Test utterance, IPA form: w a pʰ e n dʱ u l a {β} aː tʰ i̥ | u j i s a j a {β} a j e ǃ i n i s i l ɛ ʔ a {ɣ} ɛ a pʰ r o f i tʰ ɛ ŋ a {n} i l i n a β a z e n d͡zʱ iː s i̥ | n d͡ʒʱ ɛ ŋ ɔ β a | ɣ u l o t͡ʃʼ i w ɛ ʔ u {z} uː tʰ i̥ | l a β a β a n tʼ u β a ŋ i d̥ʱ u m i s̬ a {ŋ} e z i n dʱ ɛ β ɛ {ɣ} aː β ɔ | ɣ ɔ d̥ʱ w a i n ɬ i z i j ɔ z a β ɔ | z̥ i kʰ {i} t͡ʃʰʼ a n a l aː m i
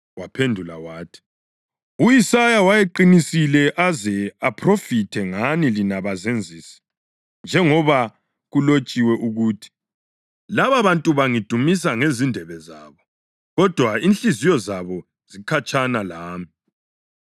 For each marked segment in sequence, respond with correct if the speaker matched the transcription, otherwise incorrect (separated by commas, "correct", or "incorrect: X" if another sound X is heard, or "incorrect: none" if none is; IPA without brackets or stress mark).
incorrect: w, incorrect: w, incorrect: z, correct, incorrect: ɣ, correct, incorrect: z, incorrect: a